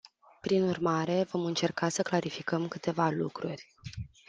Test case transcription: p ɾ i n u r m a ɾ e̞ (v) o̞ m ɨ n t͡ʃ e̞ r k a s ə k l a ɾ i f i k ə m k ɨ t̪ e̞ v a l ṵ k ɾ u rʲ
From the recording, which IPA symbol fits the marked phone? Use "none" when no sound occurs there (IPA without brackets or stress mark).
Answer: v